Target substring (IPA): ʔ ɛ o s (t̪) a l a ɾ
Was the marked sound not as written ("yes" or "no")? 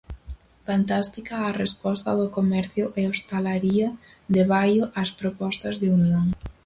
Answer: no